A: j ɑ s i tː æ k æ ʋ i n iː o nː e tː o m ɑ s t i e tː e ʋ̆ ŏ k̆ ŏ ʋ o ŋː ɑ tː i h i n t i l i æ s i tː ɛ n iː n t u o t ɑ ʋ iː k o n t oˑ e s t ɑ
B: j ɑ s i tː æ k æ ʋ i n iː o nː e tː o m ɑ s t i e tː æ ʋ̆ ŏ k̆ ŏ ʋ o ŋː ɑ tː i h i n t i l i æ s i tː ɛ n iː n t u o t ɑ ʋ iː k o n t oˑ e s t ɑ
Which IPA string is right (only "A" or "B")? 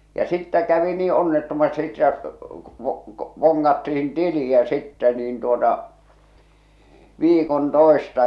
B